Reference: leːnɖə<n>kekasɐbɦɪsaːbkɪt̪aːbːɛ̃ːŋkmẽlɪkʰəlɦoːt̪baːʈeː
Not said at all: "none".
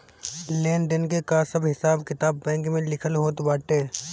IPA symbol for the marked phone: n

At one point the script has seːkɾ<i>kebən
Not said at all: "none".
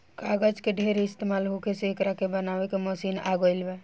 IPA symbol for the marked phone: a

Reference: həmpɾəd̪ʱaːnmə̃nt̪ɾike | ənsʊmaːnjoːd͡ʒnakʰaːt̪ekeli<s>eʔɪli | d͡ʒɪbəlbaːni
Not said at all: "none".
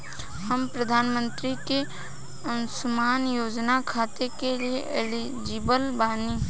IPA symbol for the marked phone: none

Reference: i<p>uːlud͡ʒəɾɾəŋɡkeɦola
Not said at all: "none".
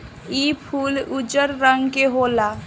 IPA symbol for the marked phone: pʰ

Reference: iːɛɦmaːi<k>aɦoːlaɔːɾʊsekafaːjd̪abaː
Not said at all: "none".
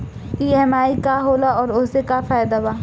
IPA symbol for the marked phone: k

